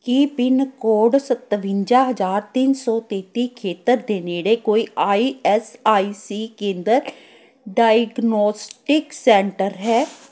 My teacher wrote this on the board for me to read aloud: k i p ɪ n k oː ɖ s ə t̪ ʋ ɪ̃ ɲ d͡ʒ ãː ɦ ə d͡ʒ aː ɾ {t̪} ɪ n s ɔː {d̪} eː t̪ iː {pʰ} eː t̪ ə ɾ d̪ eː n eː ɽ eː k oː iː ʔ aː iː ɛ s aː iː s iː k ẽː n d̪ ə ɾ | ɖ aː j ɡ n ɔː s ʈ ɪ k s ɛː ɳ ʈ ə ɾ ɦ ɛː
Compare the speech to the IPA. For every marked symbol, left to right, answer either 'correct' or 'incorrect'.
correct, incorrect, incorrect

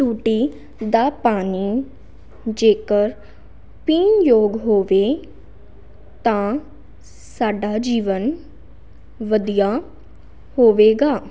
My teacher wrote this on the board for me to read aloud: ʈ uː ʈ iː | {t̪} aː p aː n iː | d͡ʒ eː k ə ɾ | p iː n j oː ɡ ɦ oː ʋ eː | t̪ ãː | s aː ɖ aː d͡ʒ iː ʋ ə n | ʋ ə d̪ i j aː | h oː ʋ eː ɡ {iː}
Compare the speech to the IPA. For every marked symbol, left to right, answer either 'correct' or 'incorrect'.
incorrect, incorrect

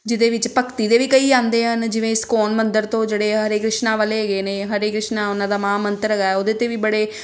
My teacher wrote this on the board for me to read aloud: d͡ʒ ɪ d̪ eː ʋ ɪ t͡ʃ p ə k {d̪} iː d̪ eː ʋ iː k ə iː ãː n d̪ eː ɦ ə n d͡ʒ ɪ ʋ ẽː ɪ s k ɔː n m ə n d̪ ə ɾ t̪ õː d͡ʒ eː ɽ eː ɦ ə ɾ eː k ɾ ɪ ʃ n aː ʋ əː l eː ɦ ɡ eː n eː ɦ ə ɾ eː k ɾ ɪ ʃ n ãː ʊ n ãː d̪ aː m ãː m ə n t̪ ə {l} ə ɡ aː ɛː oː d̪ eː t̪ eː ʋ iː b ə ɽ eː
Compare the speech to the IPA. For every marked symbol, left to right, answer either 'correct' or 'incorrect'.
incorrect, incorrect

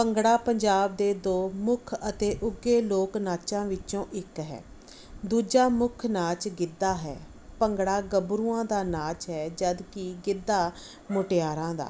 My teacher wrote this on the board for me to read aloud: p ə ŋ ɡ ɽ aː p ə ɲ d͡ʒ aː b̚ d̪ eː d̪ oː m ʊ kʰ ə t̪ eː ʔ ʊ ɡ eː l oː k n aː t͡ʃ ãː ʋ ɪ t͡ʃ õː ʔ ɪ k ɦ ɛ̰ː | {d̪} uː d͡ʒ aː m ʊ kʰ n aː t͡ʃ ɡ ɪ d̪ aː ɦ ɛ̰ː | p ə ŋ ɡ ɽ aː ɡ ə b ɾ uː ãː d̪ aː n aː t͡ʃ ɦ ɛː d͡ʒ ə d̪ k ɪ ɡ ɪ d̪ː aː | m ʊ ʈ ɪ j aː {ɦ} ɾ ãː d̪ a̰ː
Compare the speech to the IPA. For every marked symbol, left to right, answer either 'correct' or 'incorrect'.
correct, incorrect

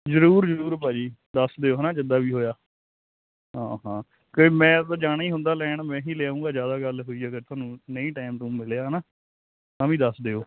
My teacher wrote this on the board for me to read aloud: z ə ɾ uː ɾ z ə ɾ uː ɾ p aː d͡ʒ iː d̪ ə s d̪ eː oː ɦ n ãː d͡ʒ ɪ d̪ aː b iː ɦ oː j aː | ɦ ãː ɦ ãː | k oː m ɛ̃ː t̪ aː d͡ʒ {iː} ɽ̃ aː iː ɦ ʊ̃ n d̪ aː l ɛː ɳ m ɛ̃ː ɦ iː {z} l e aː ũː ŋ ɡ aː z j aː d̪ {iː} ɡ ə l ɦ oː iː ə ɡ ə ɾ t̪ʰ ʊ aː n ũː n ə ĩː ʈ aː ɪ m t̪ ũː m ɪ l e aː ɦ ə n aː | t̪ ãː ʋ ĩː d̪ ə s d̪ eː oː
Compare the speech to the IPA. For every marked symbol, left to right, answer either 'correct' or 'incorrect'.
incorrect, incorrect, incorrect

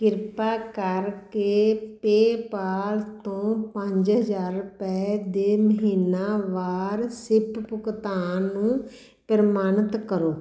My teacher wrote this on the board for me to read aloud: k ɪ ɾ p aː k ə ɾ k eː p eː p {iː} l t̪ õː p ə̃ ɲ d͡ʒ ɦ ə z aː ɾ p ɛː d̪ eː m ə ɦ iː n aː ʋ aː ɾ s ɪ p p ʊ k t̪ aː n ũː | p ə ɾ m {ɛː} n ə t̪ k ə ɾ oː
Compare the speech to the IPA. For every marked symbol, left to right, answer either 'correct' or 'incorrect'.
incorrect, incorrect

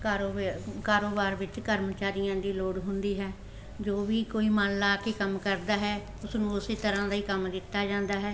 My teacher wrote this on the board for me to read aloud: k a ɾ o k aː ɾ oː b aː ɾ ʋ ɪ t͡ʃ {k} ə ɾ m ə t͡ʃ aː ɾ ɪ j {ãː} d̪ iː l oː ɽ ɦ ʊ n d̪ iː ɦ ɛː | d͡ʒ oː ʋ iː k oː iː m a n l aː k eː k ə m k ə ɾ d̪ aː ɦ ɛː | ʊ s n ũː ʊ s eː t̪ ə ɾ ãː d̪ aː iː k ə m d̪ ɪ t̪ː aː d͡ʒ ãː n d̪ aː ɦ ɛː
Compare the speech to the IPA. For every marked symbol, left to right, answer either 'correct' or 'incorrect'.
correct, correct

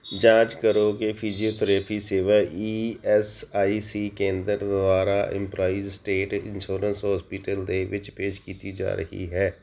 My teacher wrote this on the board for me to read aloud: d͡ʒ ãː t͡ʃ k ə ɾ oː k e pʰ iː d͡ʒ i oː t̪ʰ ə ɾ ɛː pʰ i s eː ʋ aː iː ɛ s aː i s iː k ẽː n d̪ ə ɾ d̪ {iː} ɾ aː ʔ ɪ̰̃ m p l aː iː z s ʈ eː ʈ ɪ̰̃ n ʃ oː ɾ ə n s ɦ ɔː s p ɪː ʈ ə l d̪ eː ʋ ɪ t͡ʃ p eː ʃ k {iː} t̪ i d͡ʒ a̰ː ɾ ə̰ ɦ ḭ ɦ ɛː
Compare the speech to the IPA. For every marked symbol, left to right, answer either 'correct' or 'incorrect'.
incorrect, correct

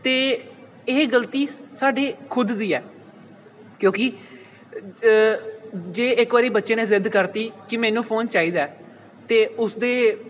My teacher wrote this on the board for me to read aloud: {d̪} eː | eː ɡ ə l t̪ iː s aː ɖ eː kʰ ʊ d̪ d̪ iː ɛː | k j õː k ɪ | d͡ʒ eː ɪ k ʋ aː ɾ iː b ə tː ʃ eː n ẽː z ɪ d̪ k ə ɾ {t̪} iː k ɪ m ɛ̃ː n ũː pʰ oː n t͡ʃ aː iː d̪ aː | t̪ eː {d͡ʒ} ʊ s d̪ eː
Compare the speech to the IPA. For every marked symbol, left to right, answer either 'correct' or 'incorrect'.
incorrect, correct, incorrect

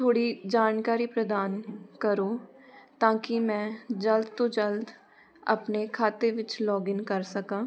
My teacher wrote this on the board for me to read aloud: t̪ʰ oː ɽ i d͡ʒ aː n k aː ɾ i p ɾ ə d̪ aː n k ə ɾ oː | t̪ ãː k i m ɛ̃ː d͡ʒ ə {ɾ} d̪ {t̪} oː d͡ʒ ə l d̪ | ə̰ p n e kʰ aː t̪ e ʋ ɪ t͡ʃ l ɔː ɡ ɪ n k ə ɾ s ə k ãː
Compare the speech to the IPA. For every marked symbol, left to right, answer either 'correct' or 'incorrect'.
incorrect, correct

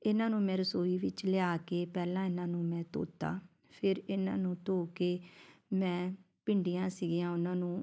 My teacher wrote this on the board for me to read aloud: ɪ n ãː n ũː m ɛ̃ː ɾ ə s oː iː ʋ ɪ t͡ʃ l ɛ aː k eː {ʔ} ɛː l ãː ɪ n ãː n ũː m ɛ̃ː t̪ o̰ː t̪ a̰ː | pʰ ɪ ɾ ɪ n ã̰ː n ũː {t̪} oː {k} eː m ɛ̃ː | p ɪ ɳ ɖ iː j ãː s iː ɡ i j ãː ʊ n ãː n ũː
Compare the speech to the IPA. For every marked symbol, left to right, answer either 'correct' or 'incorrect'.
incorrect, correct, correct

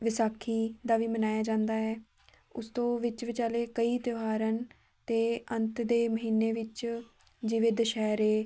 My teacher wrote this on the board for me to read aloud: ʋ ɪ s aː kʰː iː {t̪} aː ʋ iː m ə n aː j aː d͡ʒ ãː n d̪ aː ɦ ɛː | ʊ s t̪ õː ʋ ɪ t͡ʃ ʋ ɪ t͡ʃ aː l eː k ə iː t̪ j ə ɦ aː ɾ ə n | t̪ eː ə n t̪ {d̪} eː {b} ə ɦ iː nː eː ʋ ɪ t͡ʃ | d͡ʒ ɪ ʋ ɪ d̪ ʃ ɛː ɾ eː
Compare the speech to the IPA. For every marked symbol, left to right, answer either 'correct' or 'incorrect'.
incorrect, correct, incorrect

